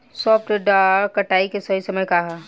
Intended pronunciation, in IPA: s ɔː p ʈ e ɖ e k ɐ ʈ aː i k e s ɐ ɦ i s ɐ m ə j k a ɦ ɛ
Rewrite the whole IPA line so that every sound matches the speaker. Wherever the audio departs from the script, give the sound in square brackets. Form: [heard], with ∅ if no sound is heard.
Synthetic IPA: s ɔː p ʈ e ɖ [a] k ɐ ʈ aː i k e s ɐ ɦ i s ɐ m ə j k a ɦ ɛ